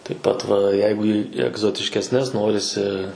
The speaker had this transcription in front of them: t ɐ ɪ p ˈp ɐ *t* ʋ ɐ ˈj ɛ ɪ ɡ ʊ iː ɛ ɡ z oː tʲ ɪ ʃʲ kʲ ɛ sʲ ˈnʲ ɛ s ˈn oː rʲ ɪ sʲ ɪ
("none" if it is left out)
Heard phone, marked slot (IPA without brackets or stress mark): t